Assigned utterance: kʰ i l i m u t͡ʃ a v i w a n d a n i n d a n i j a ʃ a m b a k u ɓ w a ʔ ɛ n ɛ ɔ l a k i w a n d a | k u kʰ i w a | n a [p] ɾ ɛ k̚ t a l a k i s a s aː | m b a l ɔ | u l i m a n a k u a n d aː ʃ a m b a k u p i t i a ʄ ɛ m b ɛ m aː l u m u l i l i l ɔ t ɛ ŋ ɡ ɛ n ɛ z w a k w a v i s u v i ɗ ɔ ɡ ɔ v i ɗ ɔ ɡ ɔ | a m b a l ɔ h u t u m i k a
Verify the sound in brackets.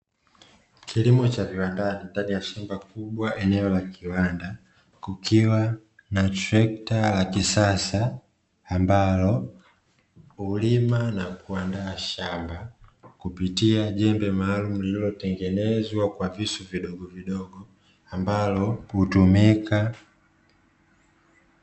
incorrect: t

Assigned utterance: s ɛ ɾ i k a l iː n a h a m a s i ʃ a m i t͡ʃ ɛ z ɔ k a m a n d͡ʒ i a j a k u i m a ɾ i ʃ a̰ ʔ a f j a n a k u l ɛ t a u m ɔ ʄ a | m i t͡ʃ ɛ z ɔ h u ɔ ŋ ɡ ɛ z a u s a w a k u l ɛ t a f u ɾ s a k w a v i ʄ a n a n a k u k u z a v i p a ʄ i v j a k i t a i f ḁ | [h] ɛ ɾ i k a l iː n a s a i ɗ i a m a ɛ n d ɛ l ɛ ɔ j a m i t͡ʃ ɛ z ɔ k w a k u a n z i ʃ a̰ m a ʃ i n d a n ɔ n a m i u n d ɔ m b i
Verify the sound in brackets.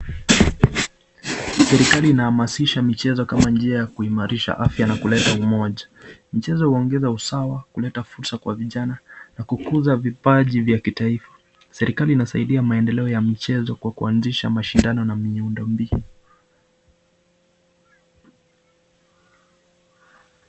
incorrect: s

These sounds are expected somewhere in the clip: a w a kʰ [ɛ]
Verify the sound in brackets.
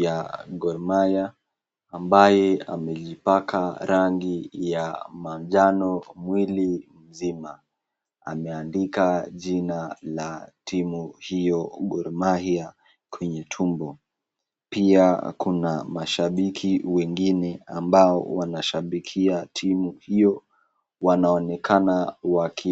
incorrect: i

